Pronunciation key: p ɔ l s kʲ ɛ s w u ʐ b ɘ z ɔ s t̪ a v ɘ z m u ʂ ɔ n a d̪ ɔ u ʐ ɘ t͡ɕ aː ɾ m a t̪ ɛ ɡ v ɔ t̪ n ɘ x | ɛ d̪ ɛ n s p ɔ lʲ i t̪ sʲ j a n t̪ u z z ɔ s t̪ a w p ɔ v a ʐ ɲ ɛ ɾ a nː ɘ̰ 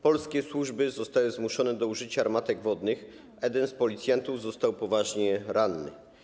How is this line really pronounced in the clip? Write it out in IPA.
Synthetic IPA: p ɔ l s kʲ ɛ s w u ʐ b ɘ z ɔ s t̪ a w ɘ z m u ʂ ɔ n ɛ d̪ ɔ u ʐ ɘ t͡ɕ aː ɾ m a t̪ ɛ ɡ v ɔ d̪ n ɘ x | ɛ d̪ ɛ n s p ɔ lʲ i t̪ sʲ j a n t̪ u v z ɔ s t̪ a w p ɔ v a ʐ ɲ ɛ ɾ a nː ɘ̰